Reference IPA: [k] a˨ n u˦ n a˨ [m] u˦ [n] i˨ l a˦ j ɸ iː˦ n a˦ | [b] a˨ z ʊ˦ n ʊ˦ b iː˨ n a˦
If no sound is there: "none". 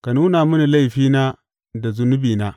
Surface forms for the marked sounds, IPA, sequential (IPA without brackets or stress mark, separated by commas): k, m, n, d